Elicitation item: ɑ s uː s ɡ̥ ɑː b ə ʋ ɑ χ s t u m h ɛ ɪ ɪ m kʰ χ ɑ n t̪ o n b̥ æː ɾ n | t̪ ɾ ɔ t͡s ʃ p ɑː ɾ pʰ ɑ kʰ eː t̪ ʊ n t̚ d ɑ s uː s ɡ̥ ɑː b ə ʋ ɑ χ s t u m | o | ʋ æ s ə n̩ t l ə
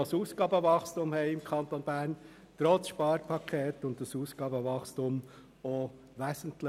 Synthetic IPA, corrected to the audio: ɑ s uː s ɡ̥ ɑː b ə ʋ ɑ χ s t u m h ɛ ɪ ɪ m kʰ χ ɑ n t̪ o n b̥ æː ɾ n | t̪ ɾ ɔ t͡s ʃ p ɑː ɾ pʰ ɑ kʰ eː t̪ ʊ n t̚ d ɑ s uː s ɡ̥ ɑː b ə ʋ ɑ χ s t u m | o | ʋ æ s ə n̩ t l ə